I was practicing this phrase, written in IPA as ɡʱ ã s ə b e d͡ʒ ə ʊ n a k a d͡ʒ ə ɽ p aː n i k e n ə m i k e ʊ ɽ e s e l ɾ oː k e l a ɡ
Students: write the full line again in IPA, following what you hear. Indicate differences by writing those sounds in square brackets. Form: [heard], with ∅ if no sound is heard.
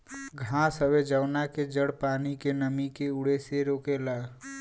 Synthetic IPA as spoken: ɡʱ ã s ə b e d͡ʒ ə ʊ n a k [e] d͡ʒ ə ɽ p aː n i k e n ə m i k e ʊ ɽ e s e [∅] ɾ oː k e l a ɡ